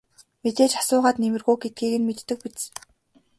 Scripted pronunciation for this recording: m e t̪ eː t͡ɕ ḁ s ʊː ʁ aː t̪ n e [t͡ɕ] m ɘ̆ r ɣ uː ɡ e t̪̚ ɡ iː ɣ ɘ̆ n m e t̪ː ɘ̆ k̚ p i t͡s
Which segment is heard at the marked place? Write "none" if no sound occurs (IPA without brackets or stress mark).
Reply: none